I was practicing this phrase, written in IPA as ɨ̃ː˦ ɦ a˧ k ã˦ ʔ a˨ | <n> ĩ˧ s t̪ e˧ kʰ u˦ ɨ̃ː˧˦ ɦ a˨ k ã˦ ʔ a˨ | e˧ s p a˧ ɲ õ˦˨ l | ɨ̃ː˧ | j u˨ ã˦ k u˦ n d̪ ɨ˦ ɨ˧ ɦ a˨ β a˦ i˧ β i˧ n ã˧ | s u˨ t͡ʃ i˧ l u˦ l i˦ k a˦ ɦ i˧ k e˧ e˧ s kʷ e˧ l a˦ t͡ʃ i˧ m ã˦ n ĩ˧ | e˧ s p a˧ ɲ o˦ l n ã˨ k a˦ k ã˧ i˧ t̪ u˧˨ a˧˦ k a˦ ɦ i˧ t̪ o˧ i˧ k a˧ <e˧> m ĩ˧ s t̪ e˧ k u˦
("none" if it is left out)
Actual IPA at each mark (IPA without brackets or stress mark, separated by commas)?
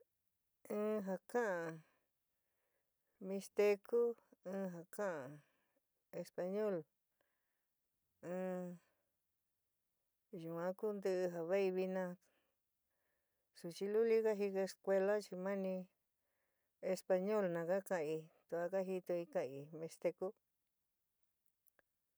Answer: m, i˧